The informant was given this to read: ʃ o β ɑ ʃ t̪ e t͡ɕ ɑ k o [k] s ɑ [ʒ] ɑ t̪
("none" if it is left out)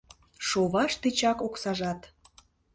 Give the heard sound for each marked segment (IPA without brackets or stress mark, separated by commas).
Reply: k, ʒ